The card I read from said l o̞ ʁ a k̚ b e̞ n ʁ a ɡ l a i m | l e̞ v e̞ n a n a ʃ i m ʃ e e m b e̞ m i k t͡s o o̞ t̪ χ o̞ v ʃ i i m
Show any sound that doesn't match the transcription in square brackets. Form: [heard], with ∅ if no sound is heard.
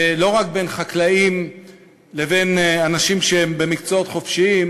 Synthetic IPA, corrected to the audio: l o̞ ʁ a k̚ b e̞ n [χ] a [k] l a i m | l e̞ v e̞ n a n a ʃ i m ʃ e e m b e̞ m i k t͡s o o̞ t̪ χ o̞ [f] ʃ i i m